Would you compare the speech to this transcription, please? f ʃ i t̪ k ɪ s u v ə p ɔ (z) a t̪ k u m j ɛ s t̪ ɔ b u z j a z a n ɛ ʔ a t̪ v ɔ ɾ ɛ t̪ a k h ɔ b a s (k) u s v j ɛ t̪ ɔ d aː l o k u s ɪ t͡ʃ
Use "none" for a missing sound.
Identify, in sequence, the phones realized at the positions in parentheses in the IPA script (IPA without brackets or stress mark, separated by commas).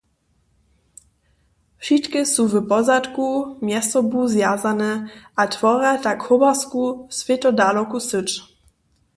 z, k